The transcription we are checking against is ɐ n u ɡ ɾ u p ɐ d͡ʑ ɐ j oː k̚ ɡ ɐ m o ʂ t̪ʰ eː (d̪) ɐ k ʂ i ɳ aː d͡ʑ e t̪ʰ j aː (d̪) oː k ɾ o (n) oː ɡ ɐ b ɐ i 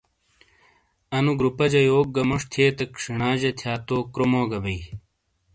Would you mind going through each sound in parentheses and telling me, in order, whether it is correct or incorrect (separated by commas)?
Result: incorrect, incorrect, incorrect